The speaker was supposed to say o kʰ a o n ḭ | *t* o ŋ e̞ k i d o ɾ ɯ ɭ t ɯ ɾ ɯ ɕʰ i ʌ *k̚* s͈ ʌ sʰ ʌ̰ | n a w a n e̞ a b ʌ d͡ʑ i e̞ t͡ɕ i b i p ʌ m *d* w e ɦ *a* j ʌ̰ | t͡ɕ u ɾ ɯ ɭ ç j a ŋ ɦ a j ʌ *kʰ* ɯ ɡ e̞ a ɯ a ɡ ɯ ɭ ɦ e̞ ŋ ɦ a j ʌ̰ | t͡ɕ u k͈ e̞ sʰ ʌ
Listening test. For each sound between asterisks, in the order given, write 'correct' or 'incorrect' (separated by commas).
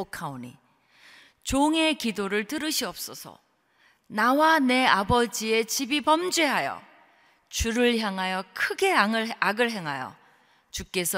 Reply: incorrect, incorrect, incorrect, correct, correct